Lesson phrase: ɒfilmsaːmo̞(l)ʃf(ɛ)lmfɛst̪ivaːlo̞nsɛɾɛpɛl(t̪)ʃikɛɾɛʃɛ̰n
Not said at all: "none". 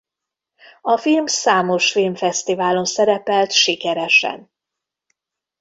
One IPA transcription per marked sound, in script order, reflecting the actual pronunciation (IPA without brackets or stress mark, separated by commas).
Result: none, i, t̪